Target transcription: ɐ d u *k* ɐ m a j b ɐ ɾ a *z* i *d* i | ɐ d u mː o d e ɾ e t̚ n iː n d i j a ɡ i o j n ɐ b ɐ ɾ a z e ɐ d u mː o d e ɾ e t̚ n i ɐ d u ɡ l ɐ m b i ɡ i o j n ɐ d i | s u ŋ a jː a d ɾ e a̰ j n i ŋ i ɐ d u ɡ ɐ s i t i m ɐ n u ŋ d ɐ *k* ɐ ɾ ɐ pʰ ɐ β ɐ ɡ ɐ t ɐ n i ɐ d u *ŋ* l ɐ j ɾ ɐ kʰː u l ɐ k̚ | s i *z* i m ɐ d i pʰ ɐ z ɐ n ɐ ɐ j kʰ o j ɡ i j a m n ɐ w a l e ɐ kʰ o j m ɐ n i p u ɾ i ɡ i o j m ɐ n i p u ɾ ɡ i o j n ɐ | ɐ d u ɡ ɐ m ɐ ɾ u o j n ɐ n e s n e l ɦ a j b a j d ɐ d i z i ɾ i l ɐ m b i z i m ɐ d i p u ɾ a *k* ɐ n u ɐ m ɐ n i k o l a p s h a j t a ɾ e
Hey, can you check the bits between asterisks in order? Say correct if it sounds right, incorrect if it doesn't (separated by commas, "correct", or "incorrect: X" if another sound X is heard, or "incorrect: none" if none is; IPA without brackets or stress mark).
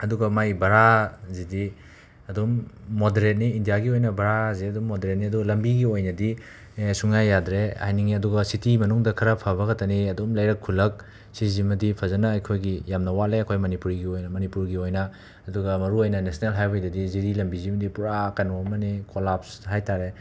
incorrect: ɡ, correct, correct, incorrect: kʰ, incorrect: m, correct, correct